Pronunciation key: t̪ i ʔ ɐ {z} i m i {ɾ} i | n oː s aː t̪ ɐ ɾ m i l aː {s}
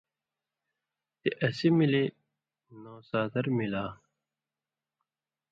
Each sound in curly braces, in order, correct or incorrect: incorrect, incorrect, incorrect

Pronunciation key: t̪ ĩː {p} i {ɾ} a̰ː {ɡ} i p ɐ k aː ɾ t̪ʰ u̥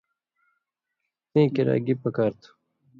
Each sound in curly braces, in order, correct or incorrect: incorrect, correct, correct

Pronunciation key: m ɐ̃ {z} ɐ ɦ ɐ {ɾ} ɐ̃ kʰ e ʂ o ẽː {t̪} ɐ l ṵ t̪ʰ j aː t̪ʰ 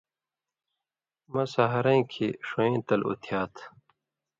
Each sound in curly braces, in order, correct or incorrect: incorrect, correct, correct

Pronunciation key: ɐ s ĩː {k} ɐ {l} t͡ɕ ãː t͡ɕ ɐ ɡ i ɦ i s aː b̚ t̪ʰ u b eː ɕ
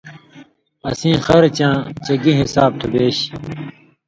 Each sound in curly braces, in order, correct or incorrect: incorrect, incorrect

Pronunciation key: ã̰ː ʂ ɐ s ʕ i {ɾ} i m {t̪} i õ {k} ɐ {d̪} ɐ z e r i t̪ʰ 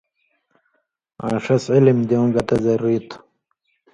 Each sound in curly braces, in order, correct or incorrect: incorrect, incorrect, incorrect, incorrect

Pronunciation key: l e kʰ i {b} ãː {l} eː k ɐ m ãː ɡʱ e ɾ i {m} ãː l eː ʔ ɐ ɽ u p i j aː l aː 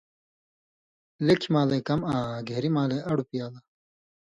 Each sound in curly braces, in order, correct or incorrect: incorrect, correct, correct

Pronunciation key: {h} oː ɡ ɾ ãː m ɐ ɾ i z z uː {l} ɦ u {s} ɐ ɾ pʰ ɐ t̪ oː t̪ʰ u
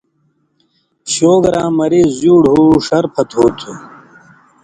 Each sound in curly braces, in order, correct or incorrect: incorrect, incorrect, incorrect

